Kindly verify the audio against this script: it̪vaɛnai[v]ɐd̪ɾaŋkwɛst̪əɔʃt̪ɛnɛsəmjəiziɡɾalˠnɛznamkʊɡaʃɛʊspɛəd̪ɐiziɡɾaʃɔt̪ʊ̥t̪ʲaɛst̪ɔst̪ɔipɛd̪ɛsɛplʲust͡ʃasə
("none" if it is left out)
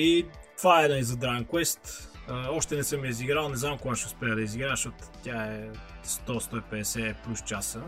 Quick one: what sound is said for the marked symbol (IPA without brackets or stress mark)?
z